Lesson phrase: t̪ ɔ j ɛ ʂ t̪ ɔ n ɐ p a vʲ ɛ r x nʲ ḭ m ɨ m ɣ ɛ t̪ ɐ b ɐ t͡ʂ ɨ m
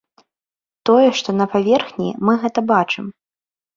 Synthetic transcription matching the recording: t̪ ɔ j ɛ ʂ t̪ ɔ n ɐ p a vʲ ɛ r x nʲ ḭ m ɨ ɣ ɛ t̪ ɐ b a t͡ʂ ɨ m